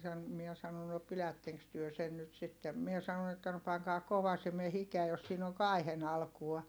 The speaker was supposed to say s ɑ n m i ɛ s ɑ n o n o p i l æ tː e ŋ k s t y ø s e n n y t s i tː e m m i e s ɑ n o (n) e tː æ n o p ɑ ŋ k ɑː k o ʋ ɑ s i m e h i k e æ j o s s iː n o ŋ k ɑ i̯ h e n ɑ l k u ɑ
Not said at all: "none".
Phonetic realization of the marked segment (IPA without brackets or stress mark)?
n